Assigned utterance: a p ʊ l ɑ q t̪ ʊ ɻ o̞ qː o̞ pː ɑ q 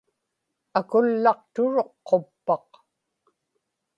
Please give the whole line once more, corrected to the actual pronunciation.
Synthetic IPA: a k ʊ lː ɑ q t̪ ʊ ɻ o̞ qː o̞ pː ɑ q